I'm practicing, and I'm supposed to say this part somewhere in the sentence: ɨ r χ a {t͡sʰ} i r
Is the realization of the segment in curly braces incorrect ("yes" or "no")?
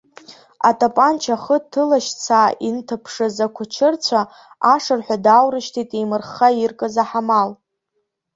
yes